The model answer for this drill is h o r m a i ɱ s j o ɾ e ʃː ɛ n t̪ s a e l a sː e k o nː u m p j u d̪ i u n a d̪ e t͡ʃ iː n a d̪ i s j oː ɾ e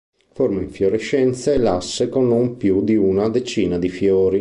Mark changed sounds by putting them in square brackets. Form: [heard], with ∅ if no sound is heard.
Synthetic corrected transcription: [f] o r m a i ɱ [f] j o ɾ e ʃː ɛ n t̪ s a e l a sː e k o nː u m p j u d̪ i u n a d̪ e t͡ʃ iː n a d̪ i [f] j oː ɾ [i]